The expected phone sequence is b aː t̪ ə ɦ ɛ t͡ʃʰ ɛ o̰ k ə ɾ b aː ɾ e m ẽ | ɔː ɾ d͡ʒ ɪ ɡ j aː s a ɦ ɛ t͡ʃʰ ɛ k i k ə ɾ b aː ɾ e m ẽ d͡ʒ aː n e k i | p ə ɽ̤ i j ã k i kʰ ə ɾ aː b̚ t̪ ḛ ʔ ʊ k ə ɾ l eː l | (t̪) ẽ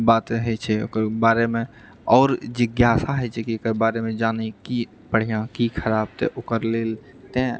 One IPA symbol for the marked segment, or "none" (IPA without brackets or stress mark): t̪